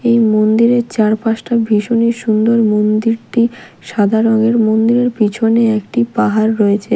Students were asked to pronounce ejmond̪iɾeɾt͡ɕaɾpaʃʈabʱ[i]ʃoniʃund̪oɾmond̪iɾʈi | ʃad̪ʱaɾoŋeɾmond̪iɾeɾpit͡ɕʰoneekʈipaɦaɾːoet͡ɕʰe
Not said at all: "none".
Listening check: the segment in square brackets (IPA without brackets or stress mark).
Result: i